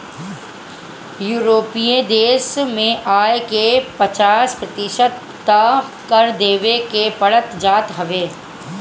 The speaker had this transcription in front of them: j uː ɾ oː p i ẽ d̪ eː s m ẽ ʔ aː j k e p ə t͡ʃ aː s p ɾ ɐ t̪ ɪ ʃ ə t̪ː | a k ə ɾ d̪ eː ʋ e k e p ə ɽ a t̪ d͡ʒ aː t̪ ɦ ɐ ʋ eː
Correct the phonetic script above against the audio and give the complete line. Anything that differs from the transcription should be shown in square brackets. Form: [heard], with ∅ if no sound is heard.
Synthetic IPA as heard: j uː ɾ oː p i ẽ d̪ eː s m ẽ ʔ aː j k e p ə t͡ʃ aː s p ɾ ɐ t̪ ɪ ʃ ə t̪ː | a k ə ɾ d̪ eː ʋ e k e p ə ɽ [ə] t̪ d͡ʒ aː t̪ ɦ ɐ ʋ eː